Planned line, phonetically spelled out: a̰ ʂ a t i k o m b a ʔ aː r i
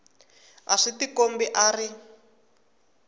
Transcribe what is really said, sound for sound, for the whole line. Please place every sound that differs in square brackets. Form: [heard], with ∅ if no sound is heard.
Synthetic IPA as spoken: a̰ ʂ [i] t i k o m b [i] ʔ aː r i